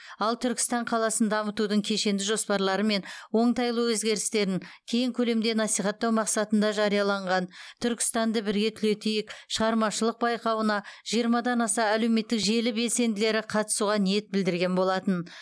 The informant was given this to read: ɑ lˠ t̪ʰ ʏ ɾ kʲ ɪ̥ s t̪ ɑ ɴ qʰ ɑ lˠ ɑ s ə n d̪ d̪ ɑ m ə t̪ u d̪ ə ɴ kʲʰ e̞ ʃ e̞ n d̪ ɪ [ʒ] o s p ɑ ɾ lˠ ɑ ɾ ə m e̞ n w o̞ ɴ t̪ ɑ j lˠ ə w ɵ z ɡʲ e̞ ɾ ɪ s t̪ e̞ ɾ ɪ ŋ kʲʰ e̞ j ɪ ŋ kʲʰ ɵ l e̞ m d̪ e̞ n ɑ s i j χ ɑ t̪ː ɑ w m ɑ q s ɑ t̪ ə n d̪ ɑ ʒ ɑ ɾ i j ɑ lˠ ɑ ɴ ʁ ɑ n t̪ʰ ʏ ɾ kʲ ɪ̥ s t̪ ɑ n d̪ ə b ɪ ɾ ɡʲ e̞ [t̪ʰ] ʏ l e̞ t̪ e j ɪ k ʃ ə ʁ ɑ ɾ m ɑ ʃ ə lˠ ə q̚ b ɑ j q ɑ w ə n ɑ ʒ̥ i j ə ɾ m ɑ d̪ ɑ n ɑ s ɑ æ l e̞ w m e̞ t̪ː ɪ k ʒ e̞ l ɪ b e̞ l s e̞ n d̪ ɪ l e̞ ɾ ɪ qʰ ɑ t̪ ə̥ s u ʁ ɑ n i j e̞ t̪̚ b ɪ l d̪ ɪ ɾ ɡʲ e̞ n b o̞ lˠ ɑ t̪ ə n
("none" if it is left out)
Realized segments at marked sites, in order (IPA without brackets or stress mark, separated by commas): ʒ, t̪ʰ